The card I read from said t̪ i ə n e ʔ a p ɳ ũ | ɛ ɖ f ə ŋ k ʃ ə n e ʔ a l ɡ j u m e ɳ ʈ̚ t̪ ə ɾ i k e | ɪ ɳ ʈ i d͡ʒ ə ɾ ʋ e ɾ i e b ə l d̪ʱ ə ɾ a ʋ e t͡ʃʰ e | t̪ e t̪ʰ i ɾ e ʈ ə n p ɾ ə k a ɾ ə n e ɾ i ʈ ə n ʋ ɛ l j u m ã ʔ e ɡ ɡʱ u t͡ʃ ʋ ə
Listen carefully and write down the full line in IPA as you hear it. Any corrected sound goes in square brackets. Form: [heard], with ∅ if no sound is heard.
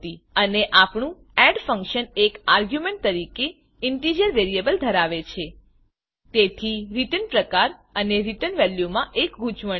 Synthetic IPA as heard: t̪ i ə n e ʔ a p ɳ ũ | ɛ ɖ f ə ŋ k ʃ ə n e [k] a [ɾ] ɡ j u m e ɳ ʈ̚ t̪ ə ɾ i k e | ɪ ɳ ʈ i d͡ʒ ə ɾ ʋ e ɾ i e b ə l d̪ʱ ə ɾ a ʋ e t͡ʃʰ e | t̪ e t̪ʰ i ɾ [i] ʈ ə n p ɾ ə k a ɾ ə n e ɾ i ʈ ə n ʋ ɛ l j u m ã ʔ e [k] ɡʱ u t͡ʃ ʋ ə

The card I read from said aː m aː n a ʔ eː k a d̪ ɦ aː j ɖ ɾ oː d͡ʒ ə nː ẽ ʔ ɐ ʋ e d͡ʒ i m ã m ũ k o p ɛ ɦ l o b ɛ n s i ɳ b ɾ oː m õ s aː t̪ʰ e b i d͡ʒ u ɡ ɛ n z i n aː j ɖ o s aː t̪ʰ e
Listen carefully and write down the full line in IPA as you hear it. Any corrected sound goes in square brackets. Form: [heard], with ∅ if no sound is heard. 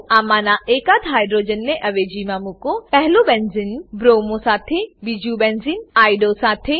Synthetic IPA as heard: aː m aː n a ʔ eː k a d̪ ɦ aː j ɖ ɾ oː d͡ʒ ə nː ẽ ʔ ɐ ʋ e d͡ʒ i m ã m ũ k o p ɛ ɦ l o b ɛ n [z] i [n] b ɾ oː m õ s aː t̪ʰ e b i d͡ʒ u [b] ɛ n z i n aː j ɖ o s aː t̪ʰ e

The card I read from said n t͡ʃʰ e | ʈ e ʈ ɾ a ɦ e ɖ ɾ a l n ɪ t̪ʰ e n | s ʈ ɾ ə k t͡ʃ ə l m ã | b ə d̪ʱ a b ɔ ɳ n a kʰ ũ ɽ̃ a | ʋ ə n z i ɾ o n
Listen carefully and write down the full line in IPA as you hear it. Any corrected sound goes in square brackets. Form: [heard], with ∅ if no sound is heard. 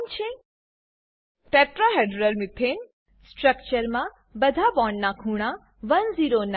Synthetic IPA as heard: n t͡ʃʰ e | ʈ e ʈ ɾ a ɦ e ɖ ɾ [ə] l [m] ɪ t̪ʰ e n | s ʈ ɾ ə k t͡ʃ ə [ɾ] m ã | b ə d̪ʱ a b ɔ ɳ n a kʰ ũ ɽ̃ a | ʋ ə n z i ɾ o n

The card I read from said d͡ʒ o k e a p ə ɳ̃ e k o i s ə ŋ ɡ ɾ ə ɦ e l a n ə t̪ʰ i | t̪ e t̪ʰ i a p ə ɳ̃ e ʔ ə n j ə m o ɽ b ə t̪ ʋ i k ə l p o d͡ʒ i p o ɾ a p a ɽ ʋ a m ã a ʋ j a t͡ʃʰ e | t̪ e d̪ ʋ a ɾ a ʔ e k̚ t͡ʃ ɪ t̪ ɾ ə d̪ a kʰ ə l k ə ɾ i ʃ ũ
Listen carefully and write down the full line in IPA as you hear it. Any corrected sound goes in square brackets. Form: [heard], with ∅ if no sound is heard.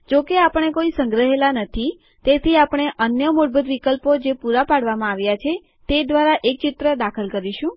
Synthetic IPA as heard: d͡ʒ o k e a p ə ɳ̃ e k o i s ə ŋ ɡ ɾ ə ɦ e l a n ə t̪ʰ i | t̪ e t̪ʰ i a p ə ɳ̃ e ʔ ə n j ə m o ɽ b ə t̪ ʋ i k ə l p o d͡ʒ [e] p [u] ɾ a p a ɽ ʋ a m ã a ʋ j a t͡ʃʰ e | t̪ e d̪ ʋ a ɾ a ʔ e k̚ t͡ʃ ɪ t̪ ɾ ə d̪ a kʰ ə l k ə ɾ i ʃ ũ

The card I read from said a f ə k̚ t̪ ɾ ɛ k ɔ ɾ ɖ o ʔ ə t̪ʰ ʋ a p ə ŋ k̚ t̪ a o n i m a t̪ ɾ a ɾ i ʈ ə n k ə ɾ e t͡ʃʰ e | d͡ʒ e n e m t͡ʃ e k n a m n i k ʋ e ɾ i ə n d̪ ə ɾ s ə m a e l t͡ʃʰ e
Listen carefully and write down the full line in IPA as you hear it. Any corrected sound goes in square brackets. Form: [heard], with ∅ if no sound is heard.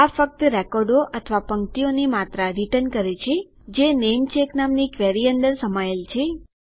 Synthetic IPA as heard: a f ə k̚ t̪ ɾ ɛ k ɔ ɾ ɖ o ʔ ə t̪ʰ ʋ a p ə ŋ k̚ t̪ [i] o n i m a t̪ ɾ a ɾ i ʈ ə n k ə ɾ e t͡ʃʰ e | d͡ʒ e n e m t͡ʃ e k n a m n i k ʋ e ɾ i ə n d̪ ə ɾ s ə m a e l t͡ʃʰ e

